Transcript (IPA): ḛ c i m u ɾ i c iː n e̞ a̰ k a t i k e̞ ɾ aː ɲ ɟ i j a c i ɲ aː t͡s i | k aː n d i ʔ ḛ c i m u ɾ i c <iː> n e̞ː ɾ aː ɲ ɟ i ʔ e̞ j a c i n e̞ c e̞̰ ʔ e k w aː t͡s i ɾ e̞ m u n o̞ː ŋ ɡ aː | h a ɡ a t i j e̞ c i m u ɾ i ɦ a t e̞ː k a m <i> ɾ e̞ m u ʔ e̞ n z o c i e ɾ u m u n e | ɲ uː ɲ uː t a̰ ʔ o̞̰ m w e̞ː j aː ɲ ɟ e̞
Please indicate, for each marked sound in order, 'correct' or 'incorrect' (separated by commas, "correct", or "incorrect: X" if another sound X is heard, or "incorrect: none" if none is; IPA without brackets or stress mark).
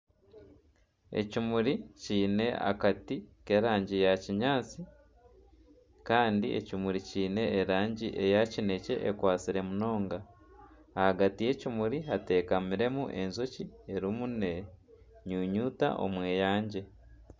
correct, correct